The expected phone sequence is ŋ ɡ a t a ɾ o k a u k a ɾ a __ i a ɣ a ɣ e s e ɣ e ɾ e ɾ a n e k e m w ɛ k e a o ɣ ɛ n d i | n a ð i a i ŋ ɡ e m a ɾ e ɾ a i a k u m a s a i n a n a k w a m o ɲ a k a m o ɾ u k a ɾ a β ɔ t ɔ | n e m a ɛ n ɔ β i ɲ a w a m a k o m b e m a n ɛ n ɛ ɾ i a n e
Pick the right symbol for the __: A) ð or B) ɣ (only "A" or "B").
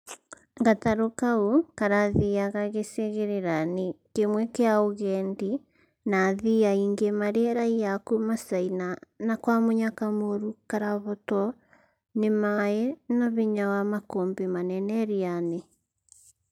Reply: A